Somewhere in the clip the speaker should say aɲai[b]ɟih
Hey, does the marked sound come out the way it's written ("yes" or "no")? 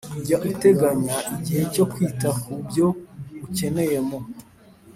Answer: no